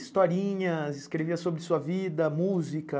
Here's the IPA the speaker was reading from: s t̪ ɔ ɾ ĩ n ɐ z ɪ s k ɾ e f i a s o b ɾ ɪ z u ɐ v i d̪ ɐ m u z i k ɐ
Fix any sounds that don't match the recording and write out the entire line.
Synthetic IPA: s t̪ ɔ ɾ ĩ ɲ ɐ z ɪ s k ɾ e v i ɐ s o b ɾ ɪ s u ɐ v i d̪ ɐ m u z i k ɐ